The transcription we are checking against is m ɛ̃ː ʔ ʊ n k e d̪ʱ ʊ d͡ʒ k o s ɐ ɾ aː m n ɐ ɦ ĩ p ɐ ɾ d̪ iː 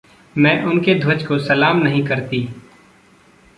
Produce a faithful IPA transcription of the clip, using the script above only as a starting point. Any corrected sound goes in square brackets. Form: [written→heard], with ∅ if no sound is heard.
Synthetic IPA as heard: m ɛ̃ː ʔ ʊ n k e d̪ʱ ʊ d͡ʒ k o s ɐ [ɾ→l] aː m n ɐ ɦ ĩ [p→k] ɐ ɾ [d̪→t̪] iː

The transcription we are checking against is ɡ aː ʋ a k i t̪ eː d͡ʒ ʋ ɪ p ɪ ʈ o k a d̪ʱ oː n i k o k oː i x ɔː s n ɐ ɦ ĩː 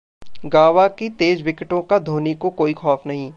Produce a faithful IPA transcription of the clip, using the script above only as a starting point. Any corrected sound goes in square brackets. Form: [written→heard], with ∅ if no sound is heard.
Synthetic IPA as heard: ɡ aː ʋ a k i t̪ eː d͡ʒ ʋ ɪ [p→k] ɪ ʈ [o→õ] k a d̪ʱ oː n i k o k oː i x ɔː [s→f] n ɐ ɦ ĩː

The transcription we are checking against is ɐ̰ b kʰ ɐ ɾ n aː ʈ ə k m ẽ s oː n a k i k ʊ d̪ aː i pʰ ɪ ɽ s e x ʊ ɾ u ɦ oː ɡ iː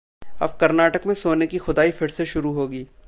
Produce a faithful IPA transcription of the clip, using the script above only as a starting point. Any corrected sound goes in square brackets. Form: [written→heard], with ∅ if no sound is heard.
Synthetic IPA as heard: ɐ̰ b [kʰ→k] ɐ ɾ n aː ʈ ə k m ẽ s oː n [a→e] k i [k→x] ʊ d̪ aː i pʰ ɪ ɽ s e [x→ʃ] ʊ ɾ u ɦ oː ɡ iː

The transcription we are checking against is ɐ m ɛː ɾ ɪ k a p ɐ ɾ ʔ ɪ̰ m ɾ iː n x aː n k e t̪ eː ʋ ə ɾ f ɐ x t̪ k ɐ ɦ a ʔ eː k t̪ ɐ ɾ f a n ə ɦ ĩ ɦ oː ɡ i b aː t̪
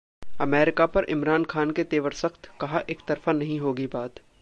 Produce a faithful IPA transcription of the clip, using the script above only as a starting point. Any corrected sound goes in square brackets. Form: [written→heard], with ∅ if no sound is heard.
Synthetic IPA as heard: ɐ m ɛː ɾ ɪ k a p ɐ ɾ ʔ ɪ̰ m ɾ [iː→aː] n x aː n k e t̪ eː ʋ ə ɾ [f→s] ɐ x t̪ k ɐ ɦ a ʔ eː k t̪ ɐ ɾ f a n [ə→ɐ] ɦ ĩ ɦ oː ɡ i b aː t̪

